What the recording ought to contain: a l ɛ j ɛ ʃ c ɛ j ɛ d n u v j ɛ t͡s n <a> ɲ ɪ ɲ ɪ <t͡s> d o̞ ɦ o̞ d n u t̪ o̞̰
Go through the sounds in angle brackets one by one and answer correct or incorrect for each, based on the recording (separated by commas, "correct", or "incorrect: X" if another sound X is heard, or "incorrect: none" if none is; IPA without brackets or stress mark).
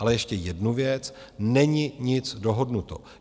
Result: incorrect: ɛ, correct